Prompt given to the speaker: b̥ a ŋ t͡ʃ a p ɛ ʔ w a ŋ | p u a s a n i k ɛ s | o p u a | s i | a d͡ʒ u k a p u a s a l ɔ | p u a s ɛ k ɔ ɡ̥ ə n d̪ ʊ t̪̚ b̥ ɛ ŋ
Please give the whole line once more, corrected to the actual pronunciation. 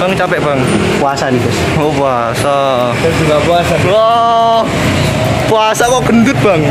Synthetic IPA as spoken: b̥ a ŋ t͡ʃ a p ɛ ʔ b a ŋ | p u a s a n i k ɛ s | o p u a | s a | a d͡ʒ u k a p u a s a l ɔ | p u a s a k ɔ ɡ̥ ə n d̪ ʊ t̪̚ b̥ a ŋ